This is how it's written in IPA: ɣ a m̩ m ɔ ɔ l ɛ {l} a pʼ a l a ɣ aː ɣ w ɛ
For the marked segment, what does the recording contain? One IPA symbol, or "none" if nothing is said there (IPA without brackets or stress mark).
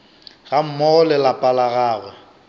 l